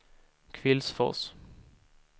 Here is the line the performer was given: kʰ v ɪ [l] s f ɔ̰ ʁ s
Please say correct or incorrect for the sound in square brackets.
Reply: correct